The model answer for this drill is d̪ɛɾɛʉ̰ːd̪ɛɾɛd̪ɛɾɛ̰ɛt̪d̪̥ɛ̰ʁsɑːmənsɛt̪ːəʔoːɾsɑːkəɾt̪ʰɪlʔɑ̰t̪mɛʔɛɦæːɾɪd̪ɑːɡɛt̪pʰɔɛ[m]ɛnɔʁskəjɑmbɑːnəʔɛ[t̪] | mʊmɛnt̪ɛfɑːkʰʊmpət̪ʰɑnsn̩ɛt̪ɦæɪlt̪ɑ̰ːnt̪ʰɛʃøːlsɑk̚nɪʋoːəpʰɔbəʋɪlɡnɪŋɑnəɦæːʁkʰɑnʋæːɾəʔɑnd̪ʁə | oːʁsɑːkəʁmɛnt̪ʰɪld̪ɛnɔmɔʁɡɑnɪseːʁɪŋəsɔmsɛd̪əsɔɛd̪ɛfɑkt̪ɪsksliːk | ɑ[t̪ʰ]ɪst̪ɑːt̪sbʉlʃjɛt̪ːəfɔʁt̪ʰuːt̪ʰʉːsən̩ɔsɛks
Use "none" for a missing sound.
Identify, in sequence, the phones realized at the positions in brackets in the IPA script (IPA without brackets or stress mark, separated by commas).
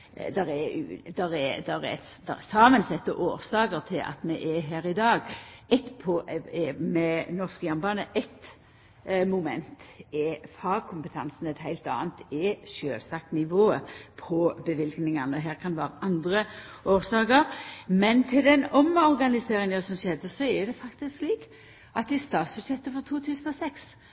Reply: m, t̪, t̪